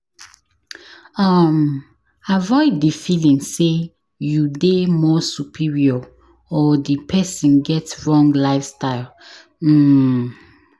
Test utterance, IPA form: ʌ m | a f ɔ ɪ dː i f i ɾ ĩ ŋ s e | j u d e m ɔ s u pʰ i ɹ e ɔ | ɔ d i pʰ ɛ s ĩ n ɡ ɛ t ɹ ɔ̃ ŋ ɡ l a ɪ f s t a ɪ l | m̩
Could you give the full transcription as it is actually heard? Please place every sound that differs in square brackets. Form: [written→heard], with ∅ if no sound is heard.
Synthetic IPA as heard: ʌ m | a [f→v] ɔ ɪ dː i f i [ɾ→l] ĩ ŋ s e | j u d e m ɔ s u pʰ i ɹ [e→i] ɔ | ɔ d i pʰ ɛ s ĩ n ɡ ɛ t ɹ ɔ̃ ŋ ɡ l a ɪ f s t a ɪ l | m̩